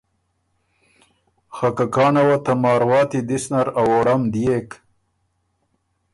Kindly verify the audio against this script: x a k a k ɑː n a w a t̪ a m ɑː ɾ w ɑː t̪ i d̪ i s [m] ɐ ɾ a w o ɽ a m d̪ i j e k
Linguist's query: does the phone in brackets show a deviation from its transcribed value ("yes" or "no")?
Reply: yes